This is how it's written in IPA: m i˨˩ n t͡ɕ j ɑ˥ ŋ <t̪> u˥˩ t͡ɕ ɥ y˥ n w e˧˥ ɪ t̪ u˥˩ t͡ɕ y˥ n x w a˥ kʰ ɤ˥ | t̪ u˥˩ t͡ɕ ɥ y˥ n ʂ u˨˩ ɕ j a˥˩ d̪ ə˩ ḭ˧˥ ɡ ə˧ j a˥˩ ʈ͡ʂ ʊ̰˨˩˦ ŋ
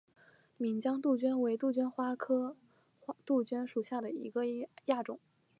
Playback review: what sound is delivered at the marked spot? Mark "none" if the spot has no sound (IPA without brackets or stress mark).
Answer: t̪